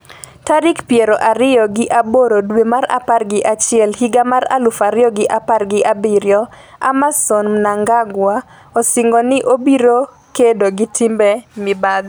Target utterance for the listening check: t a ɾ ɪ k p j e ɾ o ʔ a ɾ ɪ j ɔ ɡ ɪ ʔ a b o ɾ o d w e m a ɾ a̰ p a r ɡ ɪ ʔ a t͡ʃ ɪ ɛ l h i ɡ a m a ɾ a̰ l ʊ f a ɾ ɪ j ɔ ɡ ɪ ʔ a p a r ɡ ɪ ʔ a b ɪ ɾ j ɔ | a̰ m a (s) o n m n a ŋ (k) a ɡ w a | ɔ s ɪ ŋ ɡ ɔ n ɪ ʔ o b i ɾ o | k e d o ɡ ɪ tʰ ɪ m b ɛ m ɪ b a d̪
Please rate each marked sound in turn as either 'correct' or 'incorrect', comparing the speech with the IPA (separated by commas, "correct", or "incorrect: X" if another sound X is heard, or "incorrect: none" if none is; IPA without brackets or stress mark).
correct, incorrect: ɡ